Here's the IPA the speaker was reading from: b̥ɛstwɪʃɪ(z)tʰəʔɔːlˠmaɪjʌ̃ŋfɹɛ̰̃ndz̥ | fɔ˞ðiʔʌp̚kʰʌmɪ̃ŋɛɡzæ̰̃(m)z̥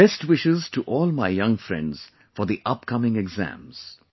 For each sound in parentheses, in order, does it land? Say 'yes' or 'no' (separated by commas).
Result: yes, yes